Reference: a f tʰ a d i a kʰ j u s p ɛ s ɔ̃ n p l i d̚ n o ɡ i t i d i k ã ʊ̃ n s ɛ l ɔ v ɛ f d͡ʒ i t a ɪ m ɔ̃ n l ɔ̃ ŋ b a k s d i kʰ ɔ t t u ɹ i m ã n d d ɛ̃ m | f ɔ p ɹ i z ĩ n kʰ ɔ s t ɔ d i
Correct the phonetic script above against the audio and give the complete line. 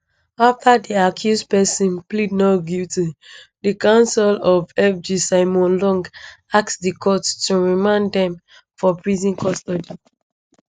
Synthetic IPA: a f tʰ a d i a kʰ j u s p ɛ s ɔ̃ n p l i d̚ n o ɡ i t i d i k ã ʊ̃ n s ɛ l ɔ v ɛ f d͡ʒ i s a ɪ m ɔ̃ n l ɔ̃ ŋ ɡ a k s d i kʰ ɔ t t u ɹ i m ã n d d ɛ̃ m | f ɔ p ɹ i z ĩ n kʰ ɔ s t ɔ d i